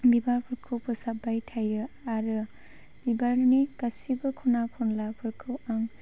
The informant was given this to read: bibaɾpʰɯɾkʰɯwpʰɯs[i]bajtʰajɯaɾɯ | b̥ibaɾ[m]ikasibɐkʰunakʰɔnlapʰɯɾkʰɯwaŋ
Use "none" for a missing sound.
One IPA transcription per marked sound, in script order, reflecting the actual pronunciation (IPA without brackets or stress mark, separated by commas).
a, n